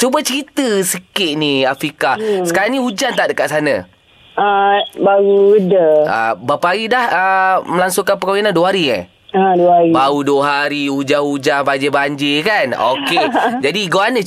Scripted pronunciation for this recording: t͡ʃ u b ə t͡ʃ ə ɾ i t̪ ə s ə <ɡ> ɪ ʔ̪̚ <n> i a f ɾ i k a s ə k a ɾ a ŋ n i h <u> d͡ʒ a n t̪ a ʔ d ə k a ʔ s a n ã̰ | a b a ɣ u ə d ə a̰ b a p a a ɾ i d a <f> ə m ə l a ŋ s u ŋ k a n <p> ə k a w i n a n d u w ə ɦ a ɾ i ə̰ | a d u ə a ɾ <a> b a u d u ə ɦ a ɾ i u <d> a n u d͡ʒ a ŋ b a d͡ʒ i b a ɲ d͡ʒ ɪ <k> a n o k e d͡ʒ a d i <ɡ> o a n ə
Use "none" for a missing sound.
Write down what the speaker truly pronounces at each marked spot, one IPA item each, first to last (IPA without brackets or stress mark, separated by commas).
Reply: k, n, u, h, p, i, d͡ʒ, k, ɡ